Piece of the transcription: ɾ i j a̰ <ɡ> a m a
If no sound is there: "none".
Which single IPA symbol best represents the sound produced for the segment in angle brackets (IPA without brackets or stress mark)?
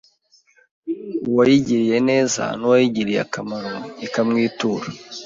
k